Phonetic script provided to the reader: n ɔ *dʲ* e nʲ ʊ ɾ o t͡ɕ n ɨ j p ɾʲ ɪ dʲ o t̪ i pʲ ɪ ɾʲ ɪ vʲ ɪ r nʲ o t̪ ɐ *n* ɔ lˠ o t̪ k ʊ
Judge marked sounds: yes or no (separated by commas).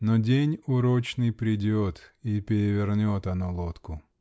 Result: yes, yes